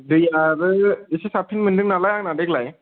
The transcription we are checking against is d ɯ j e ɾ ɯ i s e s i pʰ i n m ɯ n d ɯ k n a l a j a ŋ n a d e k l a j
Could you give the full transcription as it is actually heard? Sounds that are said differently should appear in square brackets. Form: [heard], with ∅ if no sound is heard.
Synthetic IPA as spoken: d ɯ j [a] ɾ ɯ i s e s [a] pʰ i n m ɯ n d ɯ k n a l a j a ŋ n a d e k l a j